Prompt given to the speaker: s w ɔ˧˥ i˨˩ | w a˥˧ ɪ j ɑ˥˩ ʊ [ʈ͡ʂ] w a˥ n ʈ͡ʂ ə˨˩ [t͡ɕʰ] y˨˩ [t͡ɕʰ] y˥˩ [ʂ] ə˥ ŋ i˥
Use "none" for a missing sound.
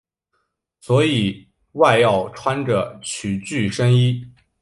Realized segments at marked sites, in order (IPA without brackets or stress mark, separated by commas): ʈ͡ʂʰ, t͡ɕʰ, t͡ɕ, ʂ